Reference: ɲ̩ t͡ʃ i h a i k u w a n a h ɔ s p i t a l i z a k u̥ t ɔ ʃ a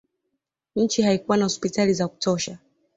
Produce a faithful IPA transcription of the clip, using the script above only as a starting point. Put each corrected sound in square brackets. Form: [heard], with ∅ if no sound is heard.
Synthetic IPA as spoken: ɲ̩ t͡ʃ i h a i k u w a n a h ɔ s p i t a l i z a k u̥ t ɔ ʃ a